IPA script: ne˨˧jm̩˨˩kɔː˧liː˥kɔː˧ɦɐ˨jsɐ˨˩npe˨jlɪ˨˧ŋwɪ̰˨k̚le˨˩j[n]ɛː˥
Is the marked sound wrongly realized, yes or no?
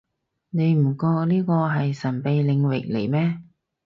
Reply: yes